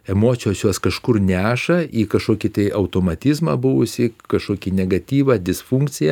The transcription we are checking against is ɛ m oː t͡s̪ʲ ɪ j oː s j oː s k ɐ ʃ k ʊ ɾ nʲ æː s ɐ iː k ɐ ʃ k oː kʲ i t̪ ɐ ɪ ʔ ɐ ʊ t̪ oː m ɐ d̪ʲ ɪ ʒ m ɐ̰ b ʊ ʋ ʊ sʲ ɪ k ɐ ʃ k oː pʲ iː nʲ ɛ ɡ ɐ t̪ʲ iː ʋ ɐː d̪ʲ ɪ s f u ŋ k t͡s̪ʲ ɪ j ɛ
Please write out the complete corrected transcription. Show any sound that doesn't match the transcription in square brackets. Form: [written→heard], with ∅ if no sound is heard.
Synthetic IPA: ɛ m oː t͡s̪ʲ ɪ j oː s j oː s k ɐ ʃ k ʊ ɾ nʲ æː [s→ʃ] ɐ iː k ɐ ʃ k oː kʲ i t̪ ɐ ɪ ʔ ɐ ʊ t̪ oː m ɐ [d̪ʲ→t̪ʲ] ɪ [ʒ→z] m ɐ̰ b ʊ ʋ ʊ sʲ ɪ k ɐ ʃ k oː [pʲ→kʲ] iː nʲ ɛ ɡ ɐ t̪ʲ iː ʋ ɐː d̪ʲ ɪ s f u ŋ k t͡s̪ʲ ɪ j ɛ